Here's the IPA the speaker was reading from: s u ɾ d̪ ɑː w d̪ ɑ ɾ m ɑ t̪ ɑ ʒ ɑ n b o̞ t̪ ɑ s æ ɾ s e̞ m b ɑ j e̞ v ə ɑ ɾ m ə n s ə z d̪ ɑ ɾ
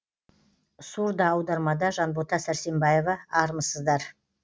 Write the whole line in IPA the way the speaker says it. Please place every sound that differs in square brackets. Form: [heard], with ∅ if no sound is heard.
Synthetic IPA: s u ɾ d̪ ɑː w d̪ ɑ ɾ m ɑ [d̪] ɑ ʒ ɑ n b o̞ t̪ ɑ s æ ɾ s e̞ m b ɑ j e̞ v [ɑ] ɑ ɾ m ə [∅] s ə z d̪ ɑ ɾ